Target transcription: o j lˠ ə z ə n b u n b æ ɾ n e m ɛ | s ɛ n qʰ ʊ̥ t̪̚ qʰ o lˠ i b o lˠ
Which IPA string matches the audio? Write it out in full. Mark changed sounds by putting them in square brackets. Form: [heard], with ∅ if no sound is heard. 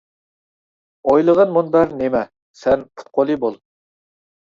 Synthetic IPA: o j lˠ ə [ʁ] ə n [m] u n b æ ɾ n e m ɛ | s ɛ n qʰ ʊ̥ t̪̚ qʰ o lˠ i b o lˠ